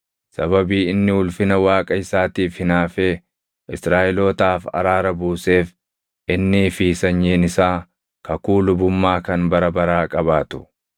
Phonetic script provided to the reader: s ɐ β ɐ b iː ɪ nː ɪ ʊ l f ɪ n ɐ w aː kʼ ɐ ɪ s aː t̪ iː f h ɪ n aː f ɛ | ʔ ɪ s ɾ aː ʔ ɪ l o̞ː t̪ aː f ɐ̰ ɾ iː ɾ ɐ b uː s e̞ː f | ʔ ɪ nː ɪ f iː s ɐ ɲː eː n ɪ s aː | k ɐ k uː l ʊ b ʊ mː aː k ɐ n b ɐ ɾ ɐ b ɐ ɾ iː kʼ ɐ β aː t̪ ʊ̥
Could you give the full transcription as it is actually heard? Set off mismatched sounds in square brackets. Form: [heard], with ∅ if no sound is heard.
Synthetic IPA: s ɐ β ɐ b iː ɪ nː ɪ ʊ l f ɪ n ɐ w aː kʼ ɐ ɪ s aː t̪ iː f h ɪ n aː f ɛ | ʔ ɪ s ɾ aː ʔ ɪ l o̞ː t̪ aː f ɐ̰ ɾ [aː] ɾ ɐ b uː s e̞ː f | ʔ ɪ nː ɪ f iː s ɐ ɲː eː n ɪ s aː | k ɐ k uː l ʊ b ʊ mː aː k ɐ n b ɐ ɾ ɐ b ɐ ɾ [aː] kʼ ɐ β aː t̪ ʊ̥

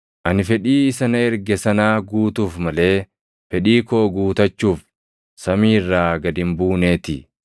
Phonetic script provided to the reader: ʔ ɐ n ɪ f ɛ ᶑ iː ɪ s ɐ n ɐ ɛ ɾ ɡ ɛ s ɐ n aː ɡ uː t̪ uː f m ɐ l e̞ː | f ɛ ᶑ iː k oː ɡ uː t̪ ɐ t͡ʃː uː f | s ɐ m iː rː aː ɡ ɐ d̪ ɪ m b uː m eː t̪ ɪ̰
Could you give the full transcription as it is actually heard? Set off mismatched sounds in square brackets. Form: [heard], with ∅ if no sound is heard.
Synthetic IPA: ʔ ɐ n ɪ f ɛ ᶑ iː ɪ s ɐ n ɐ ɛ ɾ ɡ ɛ s ɐ n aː ɡ uː t̪ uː f m ɐ l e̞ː | f ɛ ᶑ iː k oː ɡ uː t̪ ɐ t͡ʃː uː f | s ɐ m iː rː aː ɡ ɐ d̪ ɪ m b uː [n] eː t̪ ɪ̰

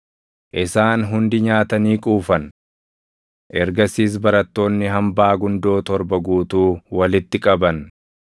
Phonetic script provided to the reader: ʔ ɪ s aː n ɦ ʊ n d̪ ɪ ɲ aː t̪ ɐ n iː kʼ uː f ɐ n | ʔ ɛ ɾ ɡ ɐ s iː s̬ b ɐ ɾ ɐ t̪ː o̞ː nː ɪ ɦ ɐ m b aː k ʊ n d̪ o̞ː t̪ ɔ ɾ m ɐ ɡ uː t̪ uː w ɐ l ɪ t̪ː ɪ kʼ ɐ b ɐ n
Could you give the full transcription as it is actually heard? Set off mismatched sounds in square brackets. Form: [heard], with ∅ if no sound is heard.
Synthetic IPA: ʔ ɪ s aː n ɦ ʊ n d̪ ɪ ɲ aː t̪ ɐ n iː kʼ uː f ɐ n | ʔ ɛ ɾ ɡ ɐ s iː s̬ b ɐ ɾ ɐ t̪ː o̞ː nː ɪ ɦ ɐ m b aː [ɡ] ʊ n d̪ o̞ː t̪ ɔ ɾ [b] ɐ ɡ uː t̪ uː w ɐ l ɪ t̪ː ɪ kʼ ɐ b ɐ n

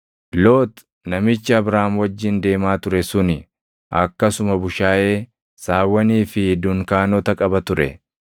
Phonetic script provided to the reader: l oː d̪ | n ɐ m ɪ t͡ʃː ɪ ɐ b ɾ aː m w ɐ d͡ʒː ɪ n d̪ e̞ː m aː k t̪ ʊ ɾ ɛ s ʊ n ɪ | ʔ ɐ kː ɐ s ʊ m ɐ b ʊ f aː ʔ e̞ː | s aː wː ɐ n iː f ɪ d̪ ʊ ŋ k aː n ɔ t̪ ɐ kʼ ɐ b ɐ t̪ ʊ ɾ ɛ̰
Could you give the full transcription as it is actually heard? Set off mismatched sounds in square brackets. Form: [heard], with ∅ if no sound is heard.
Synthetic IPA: l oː [t̪] | n ɐ m ɪ t͡ʃː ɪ ɐ b ɾ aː m w ɐ d͡ʒː ɪ n d̪ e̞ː m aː [∅] t̪ ʊ ɾ ɛ s ʊ n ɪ | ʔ ɐ kː ɐ s ʊ m ɐ b ʊ [ʃ] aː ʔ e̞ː | s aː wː ɐ n iː f ɪ d̪ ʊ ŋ k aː n ɔ t̪ ɐ kʼ ɐ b ɐ t̪ ʊ ɾ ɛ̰

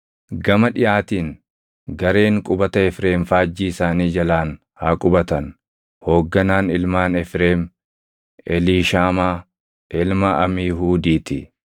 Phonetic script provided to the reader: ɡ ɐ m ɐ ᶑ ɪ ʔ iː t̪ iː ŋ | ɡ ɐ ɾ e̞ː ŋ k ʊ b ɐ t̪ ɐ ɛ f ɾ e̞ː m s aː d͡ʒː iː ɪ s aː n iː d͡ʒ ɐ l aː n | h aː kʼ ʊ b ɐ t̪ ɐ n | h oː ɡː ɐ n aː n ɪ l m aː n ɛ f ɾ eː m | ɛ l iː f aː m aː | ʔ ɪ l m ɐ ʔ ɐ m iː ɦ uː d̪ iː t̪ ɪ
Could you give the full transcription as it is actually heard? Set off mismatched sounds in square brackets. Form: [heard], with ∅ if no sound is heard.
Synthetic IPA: ɡ ɐ m ɐ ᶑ ɪ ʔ [aː] t̪ iː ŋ | ɡ ɐ ɾ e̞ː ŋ [kʼ] ʊ b ɐ t̪ ɐ ɛ f ɾ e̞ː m [f] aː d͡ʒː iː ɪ s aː n iː d͡ʒ ɐ l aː n | h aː kʼ ʊ b ɐ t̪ ɐ n | h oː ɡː ɐ n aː n ɪ l m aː n ɛ f ɾ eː m | ɛ l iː [ʃ] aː m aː | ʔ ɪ l m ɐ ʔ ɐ m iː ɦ uː d̪ iː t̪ ɪ

